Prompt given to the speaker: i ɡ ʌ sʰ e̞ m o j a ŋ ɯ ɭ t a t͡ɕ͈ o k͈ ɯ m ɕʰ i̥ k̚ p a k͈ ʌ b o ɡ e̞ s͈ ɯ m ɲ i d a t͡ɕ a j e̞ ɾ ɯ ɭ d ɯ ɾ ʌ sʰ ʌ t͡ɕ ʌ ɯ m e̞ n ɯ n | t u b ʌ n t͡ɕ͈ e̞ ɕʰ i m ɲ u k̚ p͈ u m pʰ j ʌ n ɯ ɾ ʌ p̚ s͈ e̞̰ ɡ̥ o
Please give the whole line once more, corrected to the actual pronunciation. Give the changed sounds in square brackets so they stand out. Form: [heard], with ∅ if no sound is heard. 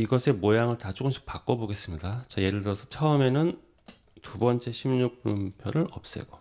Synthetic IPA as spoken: i ɡ ʌ sʰ e̞ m o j a ŋ ɯ ɭ t a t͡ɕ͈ o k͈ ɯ m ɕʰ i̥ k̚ p a k͈ ʌ b o ɡ e̞ s͈ ɯ m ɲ i d a t͡ɕ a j e̞ ɾ ɯ ɭ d ɯ ɾ ʌ sʰ ʌ [t͡ɕʰ] ʌ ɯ m e̞ n ɯ n | t u b ʌ n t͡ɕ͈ e̞ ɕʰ i m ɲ u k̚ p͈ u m pʰ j ʌ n ɯ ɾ ʌ p̚ s͈ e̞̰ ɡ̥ o

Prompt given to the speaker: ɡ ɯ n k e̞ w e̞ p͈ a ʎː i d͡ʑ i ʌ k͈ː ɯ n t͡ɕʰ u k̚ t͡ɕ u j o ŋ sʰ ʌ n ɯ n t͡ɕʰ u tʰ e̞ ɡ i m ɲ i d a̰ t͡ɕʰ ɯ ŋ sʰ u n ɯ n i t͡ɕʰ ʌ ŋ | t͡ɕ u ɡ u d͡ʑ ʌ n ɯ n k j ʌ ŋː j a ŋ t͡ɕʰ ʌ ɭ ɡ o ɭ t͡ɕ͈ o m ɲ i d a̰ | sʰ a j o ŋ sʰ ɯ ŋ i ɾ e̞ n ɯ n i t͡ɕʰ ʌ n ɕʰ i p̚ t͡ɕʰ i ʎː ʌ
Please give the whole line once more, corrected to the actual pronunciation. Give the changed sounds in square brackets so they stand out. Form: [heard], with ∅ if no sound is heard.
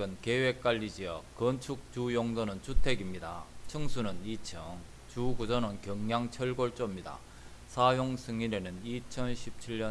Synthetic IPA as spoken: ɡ ɯ n k e̞ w e̞ [k͈] a ʎː i d͡ʑ i ʌ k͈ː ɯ n t͡ɕʰ u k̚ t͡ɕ u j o ŋ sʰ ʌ n ɯ n t͡ɕʰ u tʰ e̞ ɡ i m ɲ i d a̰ t͡ɕʰ ɯ ŋ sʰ u n ɯ n i t͡ɕʰ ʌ ŋ | t͡ɕ u ɡ u d͡ʑ ʌ n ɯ n k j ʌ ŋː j a ŋ t͡ɕʰ ʌ ɭ ɡ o ɭ t͡ɕ͈ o m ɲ i d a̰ | sʰ a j o ŋ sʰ ɯ ŋ i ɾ e̞ n ɯ n i t͡ɕʰ ʌ n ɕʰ i p̚ t͡ɕʰ i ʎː ʌ

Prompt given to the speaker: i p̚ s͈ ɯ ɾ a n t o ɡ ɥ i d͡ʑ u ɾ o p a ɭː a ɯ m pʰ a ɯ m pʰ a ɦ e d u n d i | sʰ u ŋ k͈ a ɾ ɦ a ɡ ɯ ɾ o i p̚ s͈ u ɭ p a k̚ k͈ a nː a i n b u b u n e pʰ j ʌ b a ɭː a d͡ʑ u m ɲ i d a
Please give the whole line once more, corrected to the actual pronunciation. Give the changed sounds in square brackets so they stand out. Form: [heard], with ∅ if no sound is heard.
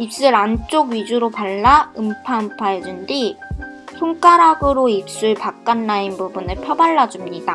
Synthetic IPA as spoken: i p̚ s͈ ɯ ɾ a n [t͡ɕ͈] o ɡ ɥ i d͡ʑ u ɾ o p a ɭː a ɯ m pʰ a ɯ m pʰ a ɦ e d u n d i | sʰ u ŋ k͈ a ɾ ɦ a ɡ ɯ ɾ o i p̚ s͈ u ɭ p a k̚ k͈ a nː a i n b u b u n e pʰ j ʌ b a ɭː a d͡ʑ u m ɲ i d a

